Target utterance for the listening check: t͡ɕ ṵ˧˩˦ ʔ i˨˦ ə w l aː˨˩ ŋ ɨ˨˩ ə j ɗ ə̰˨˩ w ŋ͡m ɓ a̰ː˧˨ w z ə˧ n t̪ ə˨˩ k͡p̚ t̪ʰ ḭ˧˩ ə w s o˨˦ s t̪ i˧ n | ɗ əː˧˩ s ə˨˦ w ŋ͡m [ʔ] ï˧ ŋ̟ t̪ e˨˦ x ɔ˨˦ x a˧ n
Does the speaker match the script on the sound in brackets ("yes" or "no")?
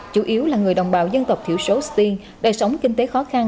no